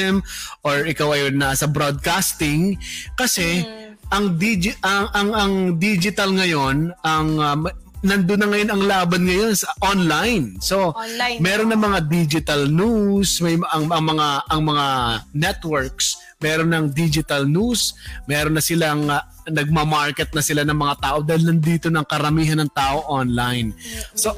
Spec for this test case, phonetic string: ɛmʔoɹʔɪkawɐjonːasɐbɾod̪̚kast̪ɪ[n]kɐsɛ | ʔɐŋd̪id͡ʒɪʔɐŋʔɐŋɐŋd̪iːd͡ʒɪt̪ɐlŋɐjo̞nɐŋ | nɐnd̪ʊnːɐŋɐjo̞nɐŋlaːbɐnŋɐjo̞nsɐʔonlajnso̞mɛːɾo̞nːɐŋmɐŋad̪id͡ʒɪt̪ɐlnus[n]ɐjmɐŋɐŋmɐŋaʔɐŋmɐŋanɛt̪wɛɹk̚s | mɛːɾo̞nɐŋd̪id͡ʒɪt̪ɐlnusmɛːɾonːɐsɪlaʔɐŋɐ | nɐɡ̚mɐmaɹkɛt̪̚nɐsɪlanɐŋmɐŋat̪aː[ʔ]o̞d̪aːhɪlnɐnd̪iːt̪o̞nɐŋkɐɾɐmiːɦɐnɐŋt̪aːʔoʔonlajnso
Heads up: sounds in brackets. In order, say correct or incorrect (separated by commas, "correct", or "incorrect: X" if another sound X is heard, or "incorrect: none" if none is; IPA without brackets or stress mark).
incorrect: ŋ, incorrect: m, correct